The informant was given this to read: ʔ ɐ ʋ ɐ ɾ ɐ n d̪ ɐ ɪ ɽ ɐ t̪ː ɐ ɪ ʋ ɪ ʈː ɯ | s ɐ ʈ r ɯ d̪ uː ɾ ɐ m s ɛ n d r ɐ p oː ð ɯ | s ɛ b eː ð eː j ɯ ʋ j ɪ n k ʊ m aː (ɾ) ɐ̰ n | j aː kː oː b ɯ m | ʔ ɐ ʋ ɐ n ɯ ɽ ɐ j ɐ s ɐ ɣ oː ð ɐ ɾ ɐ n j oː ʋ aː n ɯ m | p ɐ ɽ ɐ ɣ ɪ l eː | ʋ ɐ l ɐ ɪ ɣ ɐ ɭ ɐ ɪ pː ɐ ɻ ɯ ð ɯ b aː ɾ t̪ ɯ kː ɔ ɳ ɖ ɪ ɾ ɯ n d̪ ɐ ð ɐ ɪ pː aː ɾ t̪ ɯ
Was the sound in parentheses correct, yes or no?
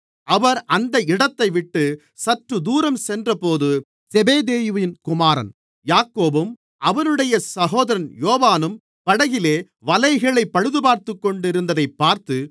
yes